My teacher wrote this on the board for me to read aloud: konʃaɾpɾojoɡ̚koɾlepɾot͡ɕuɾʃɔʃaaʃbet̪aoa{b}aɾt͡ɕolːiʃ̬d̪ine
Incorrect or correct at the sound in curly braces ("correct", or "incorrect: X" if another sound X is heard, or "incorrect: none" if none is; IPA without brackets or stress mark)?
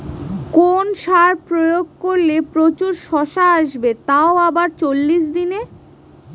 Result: correct